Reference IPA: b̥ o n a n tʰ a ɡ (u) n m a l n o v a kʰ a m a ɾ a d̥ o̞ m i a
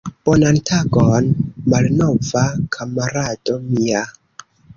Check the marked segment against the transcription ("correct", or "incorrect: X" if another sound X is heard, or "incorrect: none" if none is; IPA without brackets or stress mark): incorrect: o